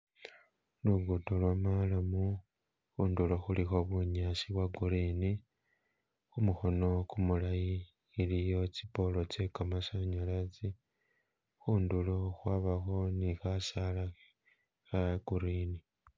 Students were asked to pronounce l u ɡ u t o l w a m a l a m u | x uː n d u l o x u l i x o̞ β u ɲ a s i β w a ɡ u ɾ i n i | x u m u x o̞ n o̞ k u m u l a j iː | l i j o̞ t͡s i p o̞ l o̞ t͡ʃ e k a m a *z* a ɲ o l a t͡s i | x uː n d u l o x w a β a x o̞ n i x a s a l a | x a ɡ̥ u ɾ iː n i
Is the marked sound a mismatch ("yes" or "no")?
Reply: yes